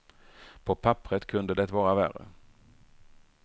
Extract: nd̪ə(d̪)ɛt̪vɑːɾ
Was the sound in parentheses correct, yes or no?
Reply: yes